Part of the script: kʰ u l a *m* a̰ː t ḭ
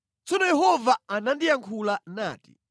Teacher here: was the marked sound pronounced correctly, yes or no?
no